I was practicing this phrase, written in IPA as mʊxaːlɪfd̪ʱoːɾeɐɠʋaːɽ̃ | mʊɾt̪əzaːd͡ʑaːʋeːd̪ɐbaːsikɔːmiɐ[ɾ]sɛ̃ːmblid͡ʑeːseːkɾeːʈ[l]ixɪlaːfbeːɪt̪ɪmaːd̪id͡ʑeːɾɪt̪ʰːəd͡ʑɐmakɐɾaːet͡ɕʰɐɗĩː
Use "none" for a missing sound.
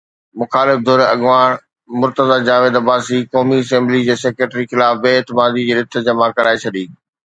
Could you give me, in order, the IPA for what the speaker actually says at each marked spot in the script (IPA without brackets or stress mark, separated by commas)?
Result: none, ɾ